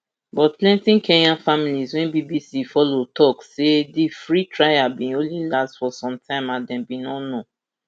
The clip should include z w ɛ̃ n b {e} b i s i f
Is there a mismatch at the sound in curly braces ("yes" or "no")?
yes